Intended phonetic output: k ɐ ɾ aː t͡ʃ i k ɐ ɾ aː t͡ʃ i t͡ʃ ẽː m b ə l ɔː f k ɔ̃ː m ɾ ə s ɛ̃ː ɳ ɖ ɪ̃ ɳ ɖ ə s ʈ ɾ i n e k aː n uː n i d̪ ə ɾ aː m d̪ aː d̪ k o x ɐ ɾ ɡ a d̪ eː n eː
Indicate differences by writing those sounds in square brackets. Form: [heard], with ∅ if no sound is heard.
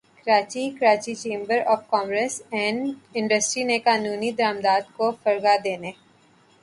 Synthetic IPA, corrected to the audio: k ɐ ɾ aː t͡ʃ i k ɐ ɾ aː t͡ʃ i t͡ʃ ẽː m b ə [ɾ] ɔː f k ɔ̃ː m ɾ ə s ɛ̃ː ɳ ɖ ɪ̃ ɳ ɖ ə s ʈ ɾ i n e k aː n uː n i d̪ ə ɾ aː m d̪ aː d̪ k o [f] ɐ ɾ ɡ a d̪ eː n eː